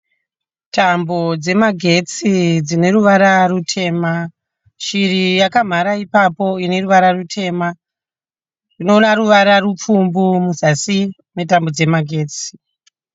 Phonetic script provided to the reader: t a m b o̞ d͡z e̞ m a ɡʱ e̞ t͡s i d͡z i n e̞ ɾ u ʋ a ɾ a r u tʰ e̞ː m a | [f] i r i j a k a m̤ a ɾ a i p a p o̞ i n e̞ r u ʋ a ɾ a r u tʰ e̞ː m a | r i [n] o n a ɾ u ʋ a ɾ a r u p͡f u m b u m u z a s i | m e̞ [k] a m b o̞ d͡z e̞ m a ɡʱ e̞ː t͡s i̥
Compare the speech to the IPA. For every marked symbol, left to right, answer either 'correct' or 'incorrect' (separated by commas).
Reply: incorrect, correct, incorrect